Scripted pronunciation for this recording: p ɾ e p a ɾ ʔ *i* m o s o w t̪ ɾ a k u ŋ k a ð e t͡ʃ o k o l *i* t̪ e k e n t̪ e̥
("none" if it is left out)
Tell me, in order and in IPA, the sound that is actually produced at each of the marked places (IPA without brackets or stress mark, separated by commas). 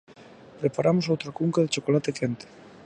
a, a